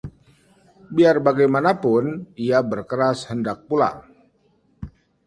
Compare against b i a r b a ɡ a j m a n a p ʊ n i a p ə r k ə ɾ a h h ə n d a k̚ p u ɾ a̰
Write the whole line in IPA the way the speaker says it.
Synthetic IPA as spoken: b i a r b a ɡ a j m a n a p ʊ n i a b ə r k ə ɾ a s h ə n d a k̚ p u l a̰